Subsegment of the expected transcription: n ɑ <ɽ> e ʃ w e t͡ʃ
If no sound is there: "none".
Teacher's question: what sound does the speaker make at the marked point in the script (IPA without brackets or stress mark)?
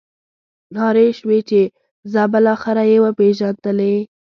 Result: ɾ